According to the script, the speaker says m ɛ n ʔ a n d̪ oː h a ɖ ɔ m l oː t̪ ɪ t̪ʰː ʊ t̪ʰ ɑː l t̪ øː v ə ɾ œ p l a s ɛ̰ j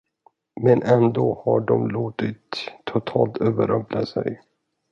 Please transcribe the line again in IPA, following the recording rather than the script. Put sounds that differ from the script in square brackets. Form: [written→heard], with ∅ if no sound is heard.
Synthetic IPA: m ɛ n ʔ [a→ɛ] n d̪ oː h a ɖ ɔ m l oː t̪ ɪ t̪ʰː ʊ t̪ʰ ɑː l t̪ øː v ə ɾ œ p l a s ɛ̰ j